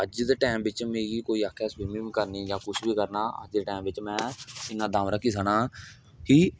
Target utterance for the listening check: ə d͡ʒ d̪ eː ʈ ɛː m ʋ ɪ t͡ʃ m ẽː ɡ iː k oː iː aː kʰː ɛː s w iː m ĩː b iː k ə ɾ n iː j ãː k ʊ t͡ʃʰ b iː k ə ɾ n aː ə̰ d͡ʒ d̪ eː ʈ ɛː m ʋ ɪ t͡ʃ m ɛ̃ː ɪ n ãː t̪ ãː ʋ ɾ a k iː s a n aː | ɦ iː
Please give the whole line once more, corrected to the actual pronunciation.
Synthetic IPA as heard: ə d͡ʒ d̪ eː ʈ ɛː m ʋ ɪ t͡ʃ m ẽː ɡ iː k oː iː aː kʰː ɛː s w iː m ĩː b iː k ə ɾ n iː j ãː k ʊ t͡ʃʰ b iː k ə ɾ n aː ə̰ d͡ʒ d̪ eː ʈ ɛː m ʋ ɪ t͡ʃ m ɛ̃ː ɪ n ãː d̪ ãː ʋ ɾ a k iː s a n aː | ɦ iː